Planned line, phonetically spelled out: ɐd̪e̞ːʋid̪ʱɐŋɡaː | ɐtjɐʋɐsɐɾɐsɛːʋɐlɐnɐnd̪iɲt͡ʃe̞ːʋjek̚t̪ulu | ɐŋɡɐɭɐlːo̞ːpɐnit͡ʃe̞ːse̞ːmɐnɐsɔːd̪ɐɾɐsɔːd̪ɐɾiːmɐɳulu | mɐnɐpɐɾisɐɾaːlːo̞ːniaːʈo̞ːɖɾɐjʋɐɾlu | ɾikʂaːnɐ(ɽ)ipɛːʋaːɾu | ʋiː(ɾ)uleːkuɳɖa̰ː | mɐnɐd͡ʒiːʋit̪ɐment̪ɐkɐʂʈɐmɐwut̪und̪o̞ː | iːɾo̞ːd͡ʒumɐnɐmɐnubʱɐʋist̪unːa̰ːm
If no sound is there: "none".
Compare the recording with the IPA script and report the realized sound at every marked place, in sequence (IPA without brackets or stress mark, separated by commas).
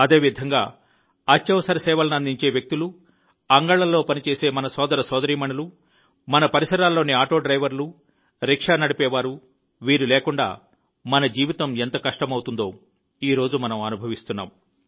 ɽ, ɾ